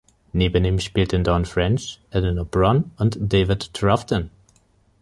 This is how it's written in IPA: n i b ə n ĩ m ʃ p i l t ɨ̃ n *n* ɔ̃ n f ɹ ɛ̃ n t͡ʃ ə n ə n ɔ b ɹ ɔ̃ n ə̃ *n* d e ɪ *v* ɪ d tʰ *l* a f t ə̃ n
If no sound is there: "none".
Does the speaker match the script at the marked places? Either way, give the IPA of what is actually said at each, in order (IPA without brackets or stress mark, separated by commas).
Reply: d, n, v, ɹ